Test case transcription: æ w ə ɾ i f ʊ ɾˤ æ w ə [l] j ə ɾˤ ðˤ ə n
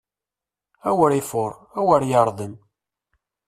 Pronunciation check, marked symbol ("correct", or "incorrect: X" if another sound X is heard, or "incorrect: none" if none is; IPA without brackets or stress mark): incorrect: ɾ